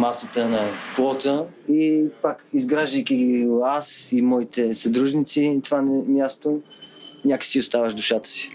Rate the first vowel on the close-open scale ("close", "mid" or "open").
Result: open